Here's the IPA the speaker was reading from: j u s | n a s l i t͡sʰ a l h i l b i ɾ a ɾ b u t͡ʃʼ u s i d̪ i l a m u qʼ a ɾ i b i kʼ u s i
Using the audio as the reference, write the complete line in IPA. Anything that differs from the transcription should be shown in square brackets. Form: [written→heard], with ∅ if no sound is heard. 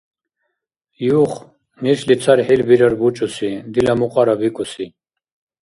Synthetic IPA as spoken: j u [s→χ] | n [a→i] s l i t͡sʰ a [l→ɾ] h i l b i ɾ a ɾ b u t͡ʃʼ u s i d̪ i l a m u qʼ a ɾ [i→a] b i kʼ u s i

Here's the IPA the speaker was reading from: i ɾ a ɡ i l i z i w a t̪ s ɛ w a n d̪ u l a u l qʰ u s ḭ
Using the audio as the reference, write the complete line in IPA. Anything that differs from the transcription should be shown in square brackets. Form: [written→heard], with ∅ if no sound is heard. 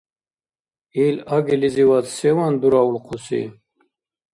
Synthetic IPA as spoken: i [ɾ→l] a ɡ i l i z i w a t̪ s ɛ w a n d̪ u [l→ɾ] a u l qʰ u s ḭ

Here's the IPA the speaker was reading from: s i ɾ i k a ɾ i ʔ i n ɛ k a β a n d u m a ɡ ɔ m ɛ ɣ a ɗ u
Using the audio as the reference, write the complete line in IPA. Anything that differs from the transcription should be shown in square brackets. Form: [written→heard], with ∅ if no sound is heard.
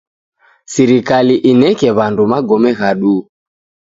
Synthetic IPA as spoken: s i ɾ i k a [ɾ→l] i ʔ i n ɛ k [a→ɛ] β a n d u m a ɡ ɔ m ɛ ɣ a ɗ u

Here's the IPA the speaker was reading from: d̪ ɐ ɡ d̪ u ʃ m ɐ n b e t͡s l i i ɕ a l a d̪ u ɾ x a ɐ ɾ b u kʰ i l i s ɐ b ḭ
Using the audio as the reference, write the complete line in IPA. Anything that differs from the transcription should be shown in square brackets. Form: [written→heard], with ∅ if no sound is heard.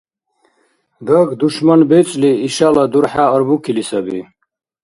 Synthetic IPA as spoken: d̪ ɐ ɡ d̪ u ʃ m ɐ n b e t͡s l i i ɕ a l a d̪ u ɾ [x→ħ] a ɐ ɾ b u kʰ i l i s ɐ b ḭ

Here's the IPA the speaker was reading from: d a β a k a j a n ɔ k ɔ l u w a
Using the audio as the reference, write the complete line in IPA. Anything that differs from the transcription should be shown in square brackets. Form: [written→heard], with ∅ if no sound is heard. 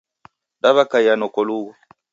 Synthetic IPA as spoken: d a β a k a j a n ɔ k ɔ l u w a

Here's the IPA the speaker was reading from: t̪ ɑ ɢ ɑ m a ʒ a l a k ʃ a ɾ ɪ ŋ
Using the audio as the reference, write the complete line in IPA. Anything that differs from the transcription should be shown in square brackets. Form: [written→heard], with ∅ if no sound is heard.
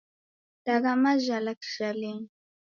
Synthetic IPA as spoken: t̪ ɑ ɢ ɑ m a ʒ a l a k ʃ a [ɾ→l] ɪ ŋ

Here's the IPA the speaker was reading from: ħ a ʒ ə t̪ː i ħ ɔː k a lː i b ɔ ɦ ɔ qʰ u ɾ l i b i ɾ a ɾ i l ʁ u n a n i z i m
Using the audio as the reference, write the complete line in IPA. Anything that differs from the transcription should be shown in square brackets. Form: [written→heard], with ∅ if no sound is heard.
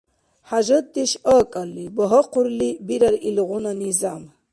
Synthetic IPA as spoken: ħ a ʒ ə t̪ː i [ħ→ʃ] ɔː [k→kʼ] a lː i b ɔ ɦ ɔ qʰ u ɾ l i b i ɾ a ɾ i l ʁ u n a n i z [i→a] m

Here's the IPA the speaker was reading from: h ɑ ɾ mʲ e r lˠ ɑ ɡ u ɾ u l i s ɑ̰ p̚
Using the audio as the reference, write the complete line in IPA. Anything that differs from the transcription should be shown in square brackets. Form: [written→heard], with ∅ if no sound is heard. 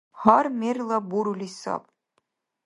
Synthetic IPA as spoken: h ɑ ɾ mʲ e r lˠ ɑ [ɡ→b] u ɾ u l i s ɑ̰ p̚

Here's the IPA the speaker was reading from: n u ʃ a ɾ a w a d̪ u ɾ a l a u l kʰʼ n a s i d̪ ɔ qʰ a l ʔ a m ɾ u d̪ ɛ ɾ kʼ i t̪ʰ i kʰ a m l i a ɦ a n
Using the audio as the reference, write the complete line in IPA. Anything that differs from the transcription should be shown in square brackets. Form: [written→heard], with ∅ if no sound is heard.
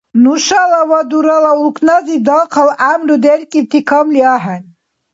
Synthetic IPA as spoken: n u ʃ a [ɾ→l] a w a d̪ u ɾ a l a u l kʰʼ n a [s→z] i d̪ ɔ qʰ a l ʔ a m ɾ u d̪ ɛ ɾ kʼ i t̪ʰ i kʰ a m l i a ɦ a n

